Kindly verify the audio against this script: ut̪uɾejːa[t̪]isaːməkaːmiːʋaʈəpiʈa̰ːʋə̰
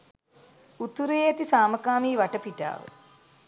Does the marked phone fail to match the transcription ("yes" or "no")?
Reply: no